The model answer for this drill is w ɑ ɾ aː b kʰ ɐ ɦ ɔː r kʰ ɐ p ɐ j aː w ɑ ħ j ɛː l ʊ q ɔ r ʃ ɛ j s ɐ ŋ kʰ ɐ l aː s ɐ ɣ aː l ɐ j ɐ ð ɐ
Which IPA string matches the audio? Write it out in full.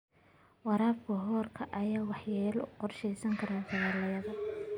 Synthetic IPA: w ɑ ɾ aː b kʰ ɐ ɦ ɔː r kʰ ɐ ʔ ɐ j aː w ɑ ħ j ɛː l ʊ q ɔ r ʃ ɛ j s ɐ ŋ kʰ ɐ ɾ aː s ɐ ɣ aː l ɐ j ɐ ð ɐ